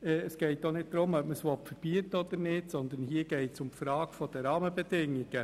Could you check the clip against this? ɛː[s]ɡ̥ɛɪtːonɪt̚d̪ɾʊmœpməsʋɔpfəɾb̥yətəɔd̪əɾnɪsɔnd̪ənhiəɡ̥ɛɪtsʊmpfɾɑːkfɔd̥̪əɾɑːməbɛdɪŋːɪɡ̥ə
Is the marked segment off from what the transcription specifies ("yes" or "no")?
no